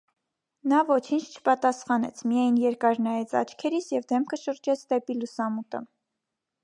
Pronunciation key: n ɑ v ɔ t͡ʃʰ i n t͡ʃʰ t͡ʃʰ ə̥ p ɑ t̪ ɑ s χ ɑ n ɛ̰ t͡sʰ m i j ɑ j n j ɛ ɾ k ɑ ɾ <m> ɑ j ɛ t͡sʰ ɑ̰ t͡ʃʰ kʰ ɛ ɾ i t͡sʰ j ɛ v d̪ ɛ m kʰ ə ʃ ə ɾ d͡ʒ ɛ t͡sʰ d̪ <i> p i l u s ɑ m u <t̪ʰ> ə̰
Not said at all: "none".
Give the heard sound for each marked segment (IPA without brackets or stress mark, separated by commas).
n, ɛ, t̪